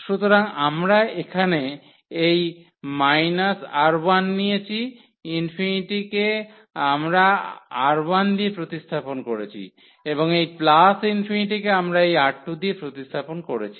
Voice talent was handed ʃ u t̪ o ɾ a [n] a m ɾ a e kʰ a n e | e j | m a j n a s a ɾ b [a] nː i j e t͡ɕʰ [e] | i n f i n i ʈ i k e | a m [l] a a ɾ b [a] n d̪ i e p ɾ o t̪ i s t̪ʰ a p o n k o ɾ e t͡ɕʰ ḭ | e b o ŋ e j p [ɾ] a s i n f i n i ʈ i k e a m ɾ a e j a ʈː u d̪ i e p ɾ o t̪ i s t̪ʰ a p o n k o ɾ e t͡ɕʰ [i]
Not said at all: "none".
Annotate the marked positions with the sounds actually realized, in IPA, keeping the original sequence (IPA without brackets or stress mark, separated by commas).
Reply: ŋ, a, i, ɾ, a, l, i